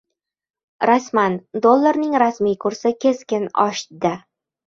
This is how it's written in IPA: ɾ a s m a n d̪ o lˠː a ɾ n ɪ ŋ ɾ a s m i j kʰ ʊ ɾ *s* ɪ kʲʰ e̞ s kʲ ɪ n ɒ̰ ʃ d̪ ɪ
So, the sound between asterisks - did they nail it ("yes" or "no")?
yes